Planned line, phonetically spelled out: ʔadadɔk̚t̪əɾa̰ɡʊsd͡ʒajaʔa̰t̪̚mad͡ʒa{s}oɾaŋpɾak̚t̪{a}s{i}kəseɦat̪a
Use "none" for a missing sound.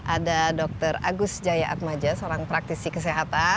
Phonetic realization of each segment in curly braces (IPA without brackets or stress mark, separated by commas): s, i, i